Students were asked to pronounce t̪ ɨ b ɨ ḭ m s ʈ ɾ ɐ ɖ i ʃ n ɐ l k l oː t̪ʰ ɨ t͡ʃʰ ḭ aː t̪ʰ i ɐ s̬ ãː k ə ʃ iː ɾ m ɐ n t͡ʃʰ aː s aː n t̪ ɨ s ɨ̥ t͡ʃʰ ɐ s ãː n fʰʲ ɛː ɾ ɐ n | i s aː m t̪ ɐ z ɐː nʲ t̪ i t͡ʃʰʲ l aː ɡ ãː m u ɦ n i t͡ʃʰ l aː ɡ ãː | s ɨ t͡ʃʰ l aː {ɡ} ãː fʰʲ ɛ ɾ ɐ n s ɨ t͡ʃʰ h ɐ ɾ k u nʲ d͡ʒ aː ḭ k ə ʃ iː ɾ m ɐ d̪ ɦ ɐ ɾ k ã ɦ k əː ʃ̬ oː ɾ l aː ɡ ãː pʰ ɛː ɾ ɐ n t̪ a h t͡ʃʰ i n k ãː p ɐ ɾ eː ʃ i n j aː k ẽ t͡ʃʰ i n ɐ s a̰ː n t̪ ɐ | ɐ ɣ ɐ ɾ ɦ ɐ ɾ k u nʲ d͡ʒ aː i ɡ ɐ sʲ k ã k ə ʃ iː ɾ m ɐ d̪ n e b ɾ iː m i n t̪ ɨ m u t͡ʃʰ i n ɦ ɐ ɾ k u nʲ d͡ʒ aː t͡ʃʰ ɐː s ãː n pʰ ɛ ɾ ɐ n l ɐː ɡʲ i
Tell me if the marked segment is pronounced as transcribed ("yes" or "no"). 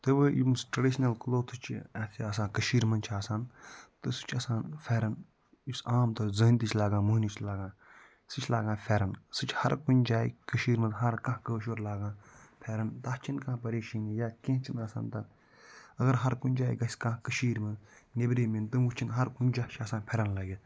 yes